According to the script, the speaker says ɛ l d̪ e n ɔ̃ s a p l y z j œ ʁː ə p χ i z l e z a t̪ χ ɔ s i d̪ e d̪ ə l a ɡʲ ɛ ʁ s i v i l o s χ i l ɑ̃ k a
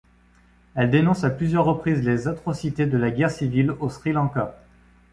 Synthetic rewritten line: ɛ l d̪ e n ɔ̃ s a p l y z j œ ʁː ə p χ i z l e z a t̪ χ ɔ s i t̪ e d̪ ə l a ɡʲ ɛ ʁ s i v i l o s χ i l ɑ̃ k a